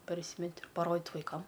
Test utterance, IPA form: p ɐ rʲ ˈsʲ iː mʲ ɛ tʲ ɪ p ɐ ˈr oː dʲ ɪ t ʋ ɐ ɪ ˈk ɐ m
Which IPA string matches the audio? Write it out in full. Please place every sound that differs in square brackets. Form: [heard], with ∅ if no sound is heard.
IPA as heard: p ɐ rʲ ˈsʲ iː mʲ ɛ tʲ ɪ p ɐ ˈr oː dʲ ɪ t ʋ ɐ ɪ ˈk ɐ m